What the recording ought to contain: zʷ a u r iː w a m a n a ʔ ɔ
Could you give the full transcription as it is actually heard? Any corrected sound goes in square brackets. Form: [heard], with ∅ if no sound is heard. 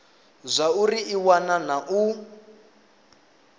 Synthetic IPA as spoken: zʷ a u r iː w a [n] a n a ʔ [u]